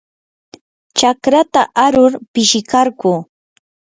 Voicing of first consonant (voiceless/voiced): voiceless